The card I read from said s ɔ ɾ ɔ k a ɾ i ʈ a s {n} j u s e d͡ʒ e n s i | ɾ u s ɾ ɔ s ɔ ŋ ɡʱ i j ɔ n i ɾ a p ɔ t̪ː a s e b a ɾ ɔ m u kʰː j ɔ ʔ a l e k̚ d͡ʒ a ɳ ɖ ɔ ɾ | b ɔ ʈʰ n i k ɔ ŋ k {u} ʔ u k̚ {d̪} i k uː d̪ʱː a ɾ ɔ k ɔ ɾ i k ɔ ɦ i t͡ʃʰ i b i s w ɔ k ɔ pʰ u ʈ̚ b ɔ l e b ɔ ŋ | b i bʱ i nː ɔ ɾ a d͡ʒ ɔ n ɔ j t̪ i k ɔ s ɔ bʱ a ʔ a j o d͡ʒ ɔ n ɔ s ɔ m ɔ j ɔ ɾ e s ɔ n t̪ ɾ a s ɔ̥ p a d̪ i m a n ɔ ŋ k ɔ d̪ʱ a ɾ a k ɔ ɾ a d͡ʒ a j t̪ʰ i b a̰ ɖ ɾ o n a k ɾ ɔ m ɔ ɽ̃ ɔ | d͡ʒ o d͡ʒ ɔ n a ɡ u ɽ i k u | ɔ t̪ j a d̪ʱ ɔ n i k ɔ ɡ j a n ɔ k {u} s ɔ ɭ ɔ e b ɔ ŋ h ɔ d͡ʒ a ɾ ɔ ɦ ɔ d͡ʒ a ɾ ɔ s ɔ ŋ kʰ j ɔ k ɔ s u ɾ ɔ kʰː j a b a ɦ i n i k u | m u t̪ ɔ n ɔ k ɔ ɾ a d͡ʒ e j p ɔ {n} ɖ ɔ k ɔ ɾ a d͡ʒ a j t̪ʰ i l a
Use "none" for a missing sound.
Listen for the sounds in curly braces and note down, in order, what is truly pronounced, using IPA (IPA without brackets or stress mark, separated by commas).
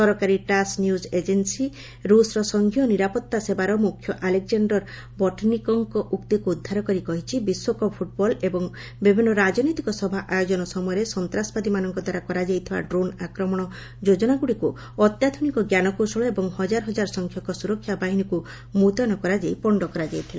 n, ɔ, t̪, o, ɳ